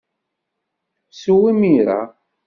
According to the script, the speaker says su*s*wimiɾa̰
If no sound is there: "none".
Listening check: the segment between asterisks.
none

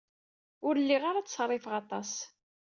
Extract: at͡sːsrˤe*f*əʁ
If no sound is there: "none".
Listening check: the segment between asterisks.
f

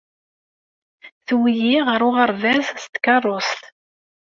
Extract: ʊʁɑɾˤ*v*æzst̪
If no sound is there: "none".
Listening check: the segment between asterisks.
v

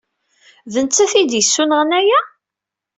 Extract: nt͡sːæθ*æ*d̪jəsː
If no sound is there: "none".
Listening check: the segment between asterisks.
i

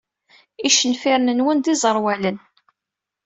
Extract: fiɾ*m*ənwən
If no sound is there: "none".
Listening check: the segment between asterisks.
n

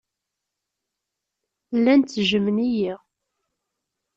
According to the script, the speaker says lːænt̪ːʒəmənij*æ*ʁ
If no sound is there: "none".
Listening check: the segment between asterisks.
i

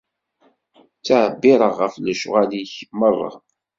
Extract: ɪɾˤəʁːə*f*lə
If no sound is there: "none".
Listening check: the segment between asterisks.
f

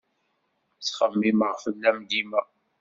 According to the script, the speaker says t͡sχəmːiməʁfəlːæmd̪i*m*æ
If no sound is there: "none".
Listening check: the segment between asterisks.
m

